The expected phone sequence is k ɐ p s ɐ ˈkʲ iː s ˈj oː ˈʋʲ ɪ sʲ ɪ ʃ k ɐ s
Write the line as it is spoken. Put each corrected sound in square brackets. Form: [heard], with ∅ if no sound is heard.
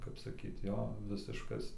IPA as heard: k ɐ p s ɐ ˈkʲ iː [t] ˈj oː ˈʋʲ ɪ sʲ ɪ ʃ k ɐ s